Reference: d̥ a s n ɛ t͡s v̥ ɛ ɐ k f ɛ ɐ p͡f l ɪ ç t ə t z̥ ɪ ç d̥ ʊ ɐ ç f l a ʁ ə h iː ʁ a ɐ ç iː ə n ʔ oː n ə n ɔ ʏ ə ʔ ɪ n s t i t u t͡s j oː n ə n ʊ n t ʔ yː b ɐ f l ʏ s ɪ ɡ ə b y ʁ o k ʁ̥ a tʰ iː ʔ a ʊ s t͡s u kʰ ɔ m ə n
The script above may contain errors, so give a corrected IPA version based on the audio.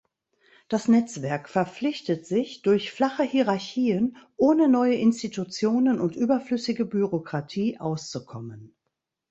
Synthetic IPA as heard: d̥ a s n ɛ t͡s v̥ ɛ ɐ k f ɛ ɐ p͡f l ɪ ç t ə t z̥ ɪ ç d̥ ʊ ɐ ç f l a χ ə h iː ʁ a ɐ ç iː ə n ʔ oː n ə n ɔ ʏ ə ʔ ɪ n s t i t u t͡s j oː n ə n ʊ n t ʔ yː b ɐ f l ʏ s ɪ ɡ ə b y ʁ o k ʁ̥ a tʰ iː ʔ a ʊ s t͡s u kʰ ɔ m ə n